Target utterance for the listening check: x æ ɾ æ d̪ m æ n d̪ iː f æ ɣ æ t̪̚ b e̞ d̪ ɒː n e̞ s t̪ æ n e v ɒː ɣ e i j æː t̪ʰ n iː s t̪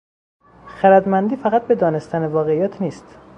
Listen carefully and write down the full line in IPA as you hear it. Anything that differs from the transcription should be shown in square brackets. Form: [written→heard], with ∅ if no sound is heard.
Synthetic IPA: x æ ɾ æ d̪ m æ n d̪ iː f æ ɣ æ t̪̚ b e̞ d̪ ɒː n e̞ s t̪ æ n e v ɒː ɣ e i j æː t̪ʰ n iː s t̪